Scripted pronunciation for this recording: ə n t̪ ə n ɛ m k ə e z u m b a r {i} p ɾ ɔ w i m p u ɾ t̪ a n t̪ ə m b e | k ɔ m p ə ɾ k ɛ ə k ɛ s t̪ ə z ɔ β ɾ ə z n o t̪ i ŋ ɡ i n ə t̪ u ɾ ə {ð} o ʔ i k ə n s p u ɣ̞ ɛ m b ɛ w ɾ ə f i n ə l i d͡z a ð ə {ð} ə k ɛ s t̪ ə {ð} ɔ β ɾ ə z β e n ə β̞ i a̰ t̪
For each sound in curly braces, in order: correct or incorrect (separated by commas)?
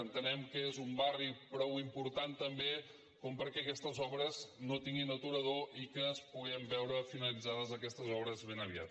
correct, correct, incorrect, incorrect